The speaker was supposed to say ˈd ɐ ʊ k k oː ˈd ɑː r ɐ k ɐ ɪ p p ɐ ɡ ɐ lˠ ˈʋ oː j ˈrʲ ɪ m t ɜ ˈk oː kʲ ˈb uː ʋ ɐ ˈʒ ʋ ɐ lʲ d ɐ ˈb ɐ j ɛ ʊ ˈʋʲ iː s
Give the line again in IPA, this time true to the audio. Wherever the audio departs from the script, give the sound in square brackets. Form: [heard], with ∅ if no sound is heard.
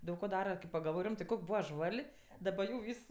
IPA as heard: ˈd ɐ ʊ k k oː ˈd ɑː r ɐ k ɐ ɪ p p ɐ ɡ ɐ lˠ ˈʋ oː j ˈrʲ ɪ m t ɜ ˈk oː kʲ ˈb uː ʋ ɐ ˈʒ ʋ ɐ lʲ d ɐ ˈb ɐ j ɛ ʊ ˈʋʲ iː s